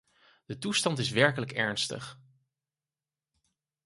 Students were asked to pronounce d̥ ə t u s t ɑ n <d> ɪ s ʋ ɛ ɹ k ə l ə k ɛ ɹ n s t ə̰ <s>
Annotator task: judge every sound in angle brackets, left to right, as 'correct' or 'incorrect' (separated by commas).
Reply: incorrect, incorrect